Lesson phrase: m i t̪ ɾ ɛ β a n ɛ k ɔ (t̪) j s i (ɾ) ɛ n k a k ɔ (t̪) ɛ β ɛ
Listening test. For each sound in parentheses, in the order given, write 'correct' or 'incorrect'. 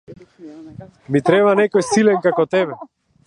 incorrect, incorrect, correct

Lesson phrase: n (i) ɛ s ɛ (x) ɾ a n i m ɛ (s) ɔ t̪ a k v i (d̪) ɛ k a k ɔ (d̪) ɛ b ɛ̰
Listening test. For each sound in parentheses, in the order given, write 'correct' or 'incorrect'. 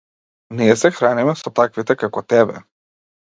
correct, correct, correct, incorrect, incorrect

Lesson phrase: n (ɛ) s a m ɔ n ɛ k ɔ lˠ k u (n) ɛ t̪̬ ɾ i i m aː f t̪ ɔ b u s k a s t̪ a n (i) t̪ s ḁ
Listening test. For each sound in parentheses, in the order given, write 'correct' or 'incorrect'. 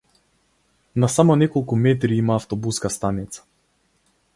incorrect, incorrect, correct

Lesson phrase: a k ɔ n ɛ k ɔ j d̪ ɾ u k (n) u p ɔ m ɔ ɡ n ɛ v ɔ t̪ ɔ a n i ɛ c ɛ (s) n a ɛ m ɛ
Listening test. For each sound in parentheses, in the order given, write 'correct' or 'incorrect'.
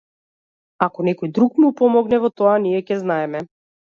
incorrect, incorrect

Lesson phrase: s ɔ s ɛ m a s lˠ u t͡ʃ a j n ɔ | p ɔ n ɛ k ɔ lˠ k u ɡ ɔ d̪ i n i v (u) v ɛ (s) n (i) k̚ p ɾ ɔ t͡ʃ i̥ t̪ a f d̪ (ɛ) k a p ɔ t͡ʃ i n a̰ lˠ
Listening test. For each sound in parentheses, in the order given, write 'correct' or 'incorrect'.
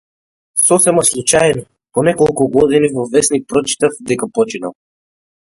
incorrect, correct, correct, correct

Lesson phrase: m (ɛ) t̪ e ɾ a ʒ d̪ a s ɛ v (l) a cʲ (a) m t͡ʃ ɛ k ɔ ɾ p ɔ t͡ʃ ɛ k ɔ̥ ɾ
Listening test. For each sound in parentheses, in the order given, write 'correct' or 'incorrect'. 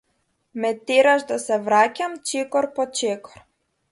correct, incorrect, correct

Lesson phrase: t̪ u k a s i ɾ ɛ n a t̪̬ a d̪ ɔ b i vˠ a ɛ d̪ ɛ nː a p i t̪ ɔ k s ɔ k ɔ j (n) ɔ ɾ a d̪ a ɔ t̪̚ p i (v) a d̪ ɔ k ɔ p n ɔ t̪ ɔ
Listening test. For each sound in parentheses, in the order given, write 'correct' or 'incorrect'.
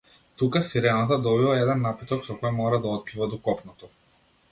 incorrect, correct

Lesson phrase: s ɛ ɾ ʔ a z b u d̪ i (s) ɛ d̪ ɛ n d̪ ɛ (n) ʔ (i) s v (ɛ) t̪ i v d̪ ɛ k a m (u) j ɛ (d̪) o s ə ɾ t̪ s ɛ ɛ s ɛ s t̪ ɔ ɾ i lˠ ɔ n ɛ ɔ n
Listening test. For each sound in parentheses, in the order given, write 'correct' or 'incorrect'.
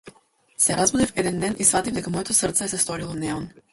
incorrect, correct, correct, incorrect, incorrect, incorrect

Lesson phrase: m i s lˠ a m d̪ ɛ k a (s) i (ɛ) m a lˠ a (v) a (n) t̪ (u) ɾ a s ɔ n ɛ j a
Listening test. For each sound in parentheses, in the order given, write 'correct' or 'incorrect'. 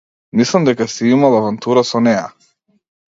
correct, incorrect, correct, correct, correct

